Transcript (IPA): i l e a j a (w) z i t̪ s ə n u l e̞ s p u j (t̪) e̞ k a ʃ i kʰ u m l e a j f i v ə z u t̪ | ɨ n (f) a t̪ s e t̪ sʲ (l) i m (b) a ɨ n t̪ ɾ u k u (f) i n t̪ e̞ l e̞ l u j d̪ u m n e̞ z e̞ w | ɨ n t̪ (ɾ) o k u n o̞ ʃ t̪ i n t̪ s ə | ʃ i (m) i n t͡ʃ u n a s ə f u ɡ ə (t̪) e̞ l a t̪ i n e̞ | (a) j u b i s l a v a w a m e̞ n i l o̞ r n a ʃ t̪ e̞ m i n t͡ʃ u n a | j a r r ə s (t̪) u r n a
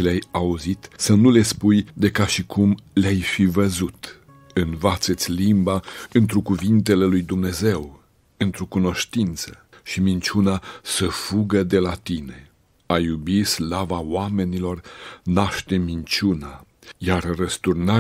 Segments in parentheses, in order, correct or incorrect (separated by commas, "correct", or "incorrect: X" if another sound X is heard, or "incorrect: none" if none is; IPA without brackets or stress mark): incorrect: u, incorrect: d̪, incorrect: v, correct, correct, incorrect: v, correct, correct, incorrect: d̪, correct, correct